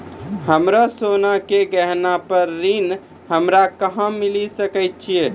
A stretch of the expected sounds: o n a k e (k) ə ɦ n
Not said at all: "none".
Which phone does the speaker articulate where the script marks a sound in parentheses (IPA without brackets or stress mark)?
ɡ